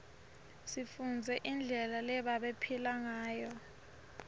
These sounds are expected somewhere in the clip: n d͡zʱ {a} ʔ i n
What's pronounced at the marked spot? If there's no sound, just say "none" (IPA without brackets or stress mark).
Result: ɛ